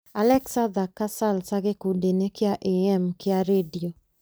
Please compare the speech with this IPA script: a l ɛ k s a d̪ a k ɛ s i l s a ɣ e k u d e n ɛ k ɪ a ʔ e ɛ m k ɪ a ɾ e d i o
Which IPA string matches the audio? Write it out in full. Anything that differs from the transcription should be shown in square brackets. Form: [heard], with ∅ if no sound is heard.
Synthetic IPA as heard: a l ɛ k s a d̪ a k [a] s [a] l s a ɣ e k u d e n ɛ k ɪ a ʔ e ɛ m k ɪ a ɾ e d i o

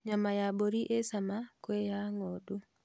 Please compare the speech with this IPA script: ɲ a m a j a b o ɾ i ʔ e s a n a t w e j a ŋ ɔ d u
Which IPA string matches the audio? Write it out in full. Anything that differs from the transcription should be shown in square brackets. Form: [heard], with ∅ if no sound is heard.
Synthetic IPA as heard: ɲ a m a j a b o ɾ i ʔ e s a [m] a [k] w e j a ŋ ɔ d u

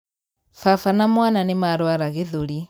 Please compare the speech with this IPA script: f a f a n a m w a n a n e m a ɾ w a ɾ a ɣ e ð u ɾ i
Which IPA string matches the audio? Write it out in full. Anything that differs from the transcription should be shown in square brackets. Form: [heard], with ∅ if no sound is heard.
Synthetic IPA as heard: f a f a n a m w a n a n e m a ɾ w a ɾ a ɣ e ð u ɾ i

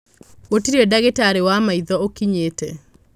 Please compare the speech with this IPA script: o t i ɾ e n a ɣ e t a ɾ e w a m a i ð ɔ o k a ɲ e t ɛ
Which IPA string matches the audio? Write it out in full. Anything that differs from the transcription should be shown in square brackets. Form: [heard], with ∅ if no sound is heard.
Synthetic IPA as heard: o t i ɾ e [d] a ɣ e t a ɾ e w a m a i ð ɔ o k [i] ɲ e t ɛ

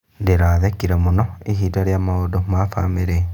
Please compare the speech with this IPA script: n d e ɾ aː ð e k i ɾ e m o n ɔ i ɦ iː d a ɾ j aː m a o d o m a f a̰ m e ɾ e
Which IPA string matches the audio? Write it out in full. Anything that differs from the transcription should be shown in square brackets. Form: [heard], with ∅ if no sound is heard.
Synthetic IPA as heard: n d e ɾ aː ð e k i ɾ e m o n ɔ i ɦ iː d a ɾ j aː m a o d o m a f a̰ m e ɾ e

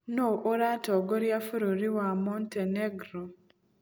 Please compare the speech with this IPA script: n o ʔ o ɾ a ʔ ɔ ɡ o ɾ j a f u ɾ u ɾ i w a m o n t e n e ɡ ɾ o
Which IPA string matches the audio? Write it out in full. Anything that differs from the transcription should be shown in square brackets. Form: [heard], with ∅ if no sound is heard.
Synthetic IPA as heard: n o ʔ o ɾ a [t] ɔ ɡ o ɾ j a f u ɾ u ɾ i w a m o n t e n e ɡ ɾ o

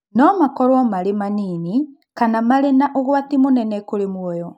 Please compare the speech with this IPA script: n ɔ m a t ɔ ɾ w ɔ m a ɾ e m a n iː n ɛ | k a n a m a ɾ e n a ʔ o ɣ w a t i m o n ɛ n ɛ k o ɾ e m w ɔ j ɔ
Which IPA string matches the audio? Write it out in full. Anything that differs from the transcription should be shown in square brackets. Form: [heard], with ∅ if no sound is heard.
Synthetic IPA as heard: n ɔ m a [k] ɔ ɾ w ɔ m a ɾ e m a n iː n [i] | k a n a m a ɾ e n a ʔ o ɣ w a t i m o n ɛ n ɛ k o ɾ e m w ɔ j ɔ

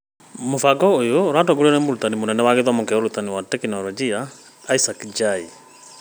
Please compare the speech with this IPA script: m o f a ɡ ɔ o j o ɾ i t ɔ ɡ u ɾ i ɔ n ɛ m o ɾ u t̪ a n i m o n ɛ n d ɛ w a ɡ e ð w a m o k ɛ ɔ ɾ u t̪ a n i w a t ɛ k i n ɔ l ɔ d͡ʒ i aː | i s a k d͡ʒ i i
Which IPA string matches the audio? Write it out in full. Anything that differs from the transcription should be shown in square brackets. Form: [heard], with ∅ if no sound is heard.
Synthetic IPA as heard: m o f a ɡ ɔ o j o ɾ [a] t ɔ ɡ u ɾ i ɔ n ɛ m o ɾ u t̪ a n i m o n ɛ n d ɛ w a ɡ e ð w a m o k ɛ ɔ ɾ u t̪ a n i w a t ɛ k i n ɔ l ɔ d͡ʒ i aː | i s a k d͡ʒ [a] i

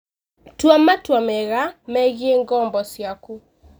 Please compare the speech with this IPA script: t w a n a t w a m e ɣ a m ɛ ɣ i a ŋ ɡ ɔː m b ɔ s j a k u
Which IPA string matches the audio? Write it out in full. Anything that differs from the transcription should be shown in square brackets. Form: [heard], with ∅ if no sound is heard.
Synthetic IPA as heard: t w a [m] a t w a m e ɣ a m ɛ ɣ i [e] ŋ ɡ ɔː m b ɔ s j a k u

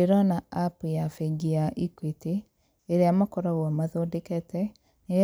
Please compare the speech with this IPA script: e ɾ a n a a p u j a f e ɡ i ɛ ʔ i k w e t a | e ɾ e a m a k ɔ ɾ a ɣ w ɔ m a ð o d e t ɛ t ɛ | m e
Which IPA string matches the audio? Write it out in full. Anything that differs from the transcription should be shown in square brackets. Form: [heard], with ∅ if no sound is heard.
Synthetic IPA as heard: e ɾ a n a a p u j a f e ɡ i [a] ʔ i k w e t [e] | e ɾ e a m a k ɔ ɾ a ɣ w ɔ m a ð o d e [k] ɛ t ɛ | [n] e

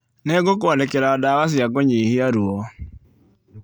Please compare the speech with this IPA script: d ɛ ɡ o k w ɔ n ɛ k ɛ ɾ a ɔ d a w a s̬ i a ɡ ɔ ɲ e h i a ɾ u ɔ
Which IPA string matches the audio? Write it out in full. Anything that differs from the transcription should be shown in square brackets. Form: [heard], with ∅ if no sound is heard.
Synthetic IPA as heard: [n] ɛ ɡ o k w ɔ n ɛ k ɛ ɾ a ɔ d a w a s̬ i a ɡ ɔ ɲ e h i a ɾ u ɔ

